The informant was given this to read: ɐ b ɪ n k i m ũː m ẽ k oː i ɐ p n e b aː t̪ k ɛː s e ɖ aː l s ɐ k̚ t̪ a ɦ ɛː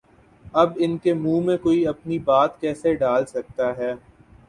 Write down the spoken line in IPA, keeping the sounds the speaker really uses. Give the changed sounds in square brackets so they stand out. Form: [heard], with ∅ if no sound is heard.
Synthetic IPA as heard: ɐ b ɪ n k [e] m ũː m ẽ k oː i ɐ p n [i] b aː t̪ k ɛː s e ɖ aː l s ɐ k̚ t̪ a ɦ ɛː

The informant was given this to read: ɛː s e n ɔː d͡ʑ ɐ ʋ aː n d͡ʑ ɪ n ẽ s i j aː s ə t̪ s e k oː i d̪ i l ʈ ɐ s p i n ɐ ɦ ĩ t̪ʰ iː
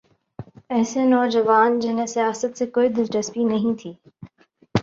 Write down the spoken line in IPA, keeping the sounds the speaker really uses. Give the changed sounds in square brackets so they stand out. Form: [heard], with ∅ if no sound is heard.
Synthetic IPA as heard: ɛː s e n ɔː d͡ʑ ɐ ʋ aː n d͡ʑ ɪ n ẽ s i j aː s ə t̪ s e k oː i d̪ [ɪ] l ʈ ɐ s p i n ɐ ɦ ĩ t̪ʰ iː

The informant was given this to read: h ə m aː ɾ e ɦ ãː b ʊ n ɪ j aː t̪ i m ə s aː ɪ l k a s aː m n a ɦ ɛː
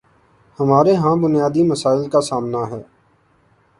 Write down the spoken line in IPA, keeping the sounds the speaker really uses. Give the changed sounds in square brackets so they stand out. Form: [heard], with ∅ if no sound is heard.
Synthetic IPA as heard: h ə m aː ɾ e ɦ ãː b ʊ n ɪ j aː [d̪] i m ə s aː ɪ l k a s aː m n a ɦ ɛː

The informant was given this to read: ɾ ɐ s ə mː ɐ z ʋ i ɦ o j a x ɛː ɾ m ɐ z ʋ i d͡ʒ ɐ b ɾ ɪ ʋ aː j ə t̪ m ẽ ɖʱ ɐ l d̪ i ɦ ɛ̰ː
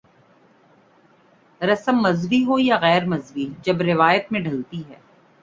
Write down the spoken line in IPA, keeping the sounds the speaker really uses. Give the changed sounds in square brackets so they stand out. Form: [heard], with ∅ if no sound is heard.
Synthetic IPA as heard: ɾ ɐ s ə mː ɐ z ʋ i ɦ o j a [ɣ] ɛː ɾ m ɐ z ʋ i d͡ʒ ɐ b ɾ ɪ ʋ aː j ə t̪ m ẽ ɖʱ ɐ l [t̪] i ɦ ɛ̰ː

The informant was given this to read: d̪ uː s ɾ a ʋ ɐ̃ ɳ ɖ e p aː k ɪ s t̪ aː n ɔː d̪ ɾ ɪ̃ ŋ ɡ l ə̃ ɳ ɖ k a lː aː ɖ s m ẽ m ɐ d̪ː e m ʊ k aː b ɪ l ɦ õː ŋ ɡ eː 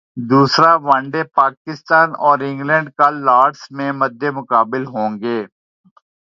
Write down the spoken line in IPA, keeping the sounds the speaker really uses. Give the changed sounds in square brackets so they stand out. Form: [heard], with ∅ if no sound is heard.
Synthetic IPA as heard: d̪ uː s ɾ a ʋ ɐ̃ ɳ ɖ e p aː k ɪ s t̪ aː n ɔː [∅] ɾ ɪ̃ ŋ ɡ l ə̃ ɳ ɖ k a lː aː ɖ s m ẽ m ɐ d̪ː e m ʊ k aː b ɪ l ɦ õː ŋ ɡ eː

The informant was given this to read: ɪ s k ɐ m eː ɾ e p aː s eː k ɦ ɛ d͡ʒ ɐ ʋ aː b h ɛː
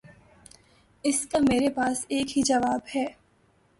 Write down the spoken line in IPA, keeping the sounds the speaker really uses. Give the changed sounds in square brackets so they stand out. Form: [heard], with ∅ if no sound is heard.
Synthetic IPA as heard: ɪ s k [a] m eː ɾ e p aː s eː k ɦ [i] d͡ʒ ɐ ʋ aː b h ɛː

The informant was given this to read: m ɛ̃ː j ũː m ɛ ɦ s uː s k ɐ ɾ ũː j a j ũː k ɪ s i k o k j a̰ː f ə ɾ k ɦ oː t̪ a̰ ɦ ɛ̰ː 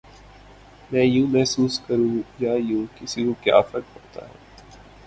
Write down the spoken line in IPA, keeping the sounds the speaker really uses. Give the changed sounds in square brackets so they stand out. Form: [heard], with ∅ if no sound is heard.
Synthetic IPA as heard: m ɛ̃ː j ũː m ɛ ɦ s uː s k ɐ ɾ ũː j a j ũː k ɪ s i k o k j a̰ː f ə ɾ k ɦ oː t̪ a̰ ɦ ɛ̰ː

